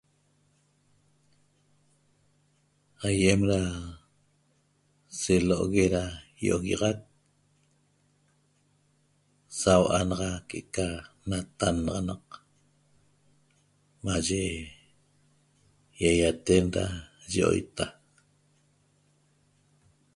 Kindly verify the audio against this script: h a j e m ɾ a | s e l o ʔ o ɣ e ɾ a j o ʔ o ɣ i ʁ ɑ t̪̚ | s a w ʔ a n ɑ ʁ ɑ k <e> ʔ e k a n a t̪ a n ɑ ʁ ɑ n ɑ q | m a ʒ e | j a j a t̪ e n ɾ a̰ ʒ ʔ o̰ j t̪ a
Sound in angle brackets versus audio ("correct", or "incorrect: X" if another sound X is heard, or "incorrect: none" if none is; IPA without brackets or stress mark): correct